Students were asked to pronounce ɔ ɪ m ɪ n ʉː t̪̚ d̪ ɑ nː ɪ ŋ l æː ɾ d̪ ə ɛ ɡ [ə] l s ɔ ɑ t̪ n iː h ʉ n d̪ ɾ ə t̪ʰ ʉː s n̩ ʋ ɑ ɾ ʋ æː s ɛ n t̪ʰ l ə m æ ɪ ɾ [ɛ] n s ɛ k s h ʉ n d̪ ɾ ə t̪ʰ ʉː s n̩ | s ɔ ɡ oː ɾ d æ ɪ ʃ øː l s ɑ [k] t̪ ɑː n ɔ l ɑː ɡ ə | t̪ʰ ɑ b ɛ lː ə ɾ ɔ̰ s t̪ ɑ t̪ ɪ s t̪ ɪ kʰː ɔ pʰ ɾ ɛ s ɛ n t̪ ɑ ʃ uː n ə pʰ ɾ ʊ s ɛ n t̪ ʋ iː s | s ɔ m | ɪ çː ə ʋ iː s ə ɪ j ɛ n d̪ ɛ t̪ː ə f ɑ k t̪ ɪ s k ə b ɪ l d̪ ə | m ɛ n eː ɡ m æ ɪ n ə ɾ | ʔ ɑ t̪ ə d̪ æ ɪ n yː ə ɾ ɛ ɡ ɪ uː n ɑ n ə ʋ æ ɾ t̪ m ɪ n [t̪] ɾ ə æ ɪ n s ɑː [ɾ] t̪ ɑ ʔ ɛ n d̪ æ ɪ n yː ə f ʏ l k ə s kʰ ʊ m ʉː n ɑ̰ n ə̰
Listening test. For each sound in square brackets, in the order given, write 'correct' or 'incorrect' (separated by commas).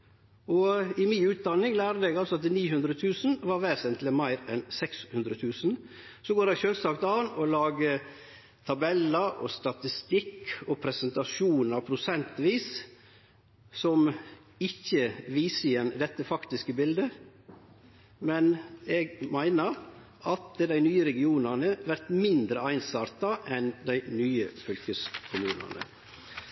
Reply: incorrect, correct, correct, incorrect, correct